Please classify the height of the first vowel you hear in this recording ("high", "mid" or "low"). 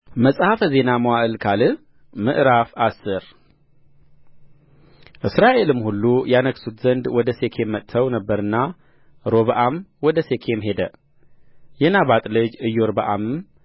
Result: mid